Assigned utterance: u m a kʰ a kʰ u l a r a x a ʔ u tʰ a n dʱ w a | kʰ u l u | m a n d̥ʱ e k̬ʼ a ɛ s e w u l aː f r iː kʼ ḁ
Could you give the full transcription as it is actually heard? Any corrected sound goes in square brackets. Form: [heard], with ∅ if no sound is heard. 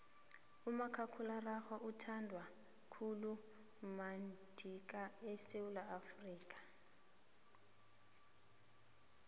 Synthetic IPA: u m a kʰ a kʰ u l a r a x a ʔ u tʰ a n dʱ w a | kʰ u l u | m a n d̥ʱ [i] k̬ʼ a ɛ s e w u l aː f r iː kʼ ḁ